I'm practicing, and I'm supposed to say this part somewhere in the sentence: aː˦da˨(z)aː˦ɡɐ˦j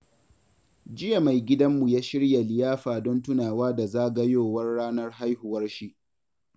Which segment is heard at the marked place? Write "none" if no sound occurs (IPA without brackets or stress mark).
z